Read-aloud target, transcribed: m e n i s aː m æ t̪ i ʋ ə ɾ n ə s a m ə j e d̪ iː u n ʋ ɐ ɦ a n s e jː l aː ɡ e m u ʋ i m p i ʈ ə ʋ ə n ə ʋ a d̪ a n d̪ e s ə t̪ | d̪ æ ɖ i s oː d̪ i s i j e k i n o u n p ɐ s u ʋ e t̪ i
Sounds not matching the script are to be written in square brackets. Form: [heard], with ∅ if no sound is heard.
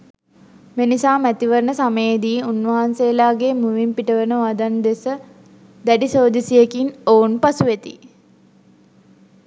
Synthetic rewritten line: m e n i s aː m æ t̪ i ʋ ə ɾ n ə s a m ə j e d̪ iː u n ʋ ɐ ɦ a n s e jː l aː ɡ e m u ʋ i m p i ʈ ə ʋ ə n ə ʋ a d̪ a n d̪ e s ə [∅] | d̪ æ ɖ i s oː d̪ i s i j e k i n o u n p [a] s u ʋ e t̪ i